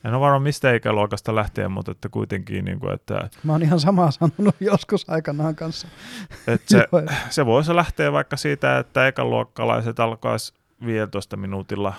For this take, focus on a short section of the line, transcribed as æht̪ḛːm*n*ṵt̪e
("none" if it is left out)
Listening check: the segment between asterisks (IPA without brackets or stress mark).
m